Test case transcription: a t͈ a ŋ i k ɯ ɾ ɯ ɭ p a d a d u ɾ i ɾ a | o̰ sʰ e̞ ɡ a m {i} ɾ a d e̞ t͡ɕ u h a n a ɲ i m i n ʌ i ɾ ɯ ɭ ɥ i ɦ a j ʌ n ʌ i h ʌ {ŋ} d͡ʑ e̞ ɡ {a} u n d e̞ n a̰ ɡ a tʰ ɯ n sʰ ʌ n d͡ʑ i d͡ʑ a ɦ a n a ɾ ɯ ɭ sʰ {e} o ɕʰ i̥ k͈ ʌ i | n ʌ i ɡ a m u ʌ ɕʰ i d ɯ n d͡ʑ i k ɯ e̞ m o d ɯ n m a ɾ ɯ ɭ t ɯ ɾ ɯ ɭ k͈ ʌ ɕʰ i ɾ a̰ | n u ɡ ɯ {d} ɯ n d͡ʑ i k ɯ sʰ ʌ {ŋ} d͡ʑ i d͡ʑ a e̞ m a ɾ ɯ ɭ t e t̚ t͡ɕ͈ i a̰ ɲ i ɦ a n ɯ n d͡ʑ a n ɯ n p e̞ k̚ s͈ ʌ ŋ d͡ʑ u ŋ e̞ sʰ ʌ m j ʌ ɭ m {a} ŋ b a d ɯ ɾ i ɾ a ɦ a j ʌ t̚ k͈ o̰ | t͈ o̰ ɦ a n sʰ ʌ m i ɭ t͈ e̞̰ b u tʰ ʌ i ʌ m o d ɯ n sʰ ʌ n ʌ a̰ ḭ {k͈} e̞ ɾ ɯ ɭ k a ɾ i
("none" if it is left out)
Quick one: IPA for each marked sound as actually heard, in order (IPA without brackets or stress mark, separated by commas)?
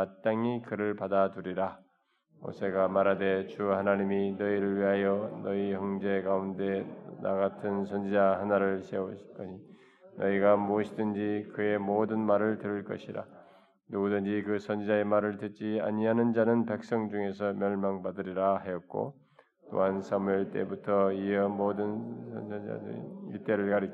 a, ŋ, a, e, d, n, a, t͈